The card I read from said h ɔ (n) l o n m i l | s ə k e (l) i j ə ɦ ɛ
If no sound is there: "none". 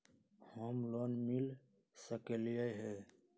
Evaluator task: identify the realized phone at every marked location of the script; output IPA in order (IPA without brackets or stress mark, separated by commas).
m, l